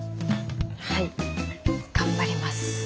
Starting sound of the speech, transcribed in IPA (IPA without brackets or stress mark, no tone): h